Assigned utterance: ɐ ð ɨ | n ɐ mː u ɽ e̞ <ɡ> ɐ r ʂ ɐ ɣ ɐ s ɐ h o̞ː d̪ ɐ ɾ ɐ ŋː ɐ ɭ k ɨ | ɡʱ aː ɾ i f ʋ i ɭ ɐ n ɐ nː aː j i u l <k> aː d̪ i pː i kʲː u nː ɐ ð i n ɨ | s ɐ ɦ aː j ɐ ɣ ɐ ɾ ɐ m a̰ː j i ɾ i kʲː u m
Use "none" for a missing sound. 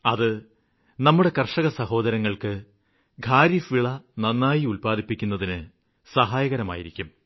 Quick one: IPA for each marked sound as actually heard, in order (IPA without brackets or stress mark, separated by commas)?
k, p